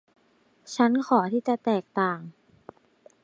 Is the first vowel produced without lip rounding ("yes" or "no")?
yes